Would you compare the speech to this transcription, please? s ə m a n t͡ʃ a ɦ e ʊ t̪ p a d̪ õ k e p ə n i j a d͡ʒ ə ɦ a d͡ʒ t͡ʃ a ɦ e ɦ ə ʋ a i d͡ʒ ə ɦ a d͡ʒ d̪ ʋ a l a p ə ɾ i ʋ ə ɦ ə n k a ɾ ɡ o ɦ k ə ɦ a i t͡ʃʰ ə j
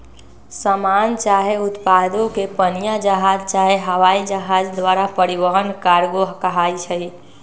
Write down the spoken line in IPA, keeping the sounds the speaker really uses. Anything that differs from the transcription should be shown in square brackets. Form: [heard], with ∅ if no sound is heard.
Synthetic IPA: s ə m a n t͡ʃ a ɦ e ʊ t̪ p a d̪ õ k e p ə n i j a d͡ʒ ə ɦ a d͡ʒ t͡ʃ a ɦ e ɦ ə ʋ a i d͡ʒ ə ɦ a d͡ʒ d̪ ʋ a [ɾ] a p ə ɾ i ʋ ə ɦ ə n k a ɾ ɡ o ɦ k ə ɦ a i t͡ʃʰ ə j